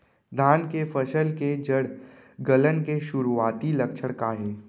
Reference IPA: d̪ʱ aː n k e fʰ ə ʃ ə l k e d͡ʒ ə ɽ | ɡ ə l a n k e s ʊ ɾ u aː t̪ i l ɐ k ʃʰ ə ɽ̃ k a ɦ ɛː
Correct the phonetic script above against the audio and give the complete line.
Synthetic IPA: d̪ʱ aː n k e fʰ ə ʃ ə l k e d͡ʒ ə ɽ | ɡ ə l ə n k e ʃ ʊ ɾ u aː t̪ i l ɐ k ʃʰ ə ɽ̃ k a ɦ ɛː